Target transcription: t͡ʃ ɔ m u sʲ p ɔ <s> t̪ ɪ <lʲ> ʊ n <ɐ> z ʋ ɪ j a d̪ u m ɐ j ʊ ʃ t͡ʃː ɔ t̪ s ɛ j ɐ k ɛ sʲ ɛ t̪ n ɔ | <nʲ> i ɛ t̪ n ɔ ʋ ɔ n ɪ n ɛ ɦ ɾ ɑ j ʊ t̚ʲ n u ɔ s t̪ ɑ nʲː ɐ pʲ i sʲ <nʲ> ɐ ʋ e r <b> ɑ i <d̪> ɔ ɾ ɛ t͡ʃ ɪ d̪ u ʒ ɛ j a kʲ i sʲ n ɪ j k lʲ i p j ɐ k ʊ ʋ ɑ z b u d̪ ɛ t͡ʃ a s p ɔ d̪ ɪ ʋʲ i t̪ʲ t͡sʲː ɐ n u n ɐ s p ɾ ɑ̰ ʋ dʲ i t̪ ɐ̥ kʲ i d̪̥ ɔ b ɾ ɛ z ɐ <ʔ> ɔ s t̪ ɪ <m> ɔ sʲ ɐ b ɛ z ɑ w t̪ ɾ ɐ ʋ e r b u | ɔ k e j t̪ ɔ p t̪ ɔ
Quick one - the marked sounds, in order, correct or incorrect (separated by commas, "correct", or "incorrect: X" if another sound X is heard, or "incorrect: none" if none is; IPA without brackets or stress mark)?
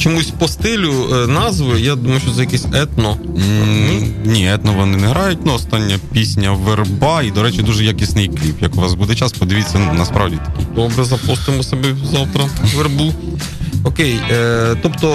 correct, correct, incorrect: ɑ, correct, correct, correct, correct, incorrect: p, correct